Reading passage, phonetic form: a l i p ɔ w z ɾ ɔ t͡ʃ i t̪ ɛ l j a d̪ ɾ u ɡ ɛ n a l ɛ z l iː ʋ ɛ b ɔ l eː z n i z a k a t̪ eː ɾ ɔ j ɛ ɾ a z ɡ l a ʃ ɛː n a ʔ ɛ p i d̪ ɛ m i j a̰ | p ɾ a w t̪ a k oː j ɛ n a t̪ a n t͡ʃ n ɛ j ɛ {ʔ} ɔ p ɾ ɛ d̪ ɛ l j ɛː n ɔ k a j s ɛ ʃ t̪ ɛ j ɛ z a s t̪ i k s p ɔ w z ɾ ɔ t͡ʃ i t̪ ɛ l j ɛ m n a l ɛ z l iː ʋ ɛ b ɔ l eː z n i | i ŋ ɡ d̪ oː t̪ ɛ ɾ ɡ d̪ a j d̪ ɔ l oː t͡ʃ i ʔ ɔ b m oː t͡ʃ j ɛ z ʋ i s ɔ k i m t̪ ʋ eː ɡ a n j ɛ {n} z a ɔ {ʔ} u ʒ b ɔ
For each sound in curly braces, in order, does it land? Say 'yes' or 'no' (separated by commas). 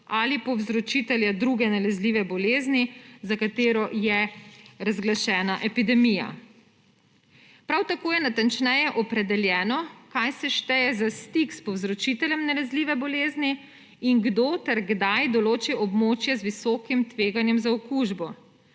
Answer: yes, no, no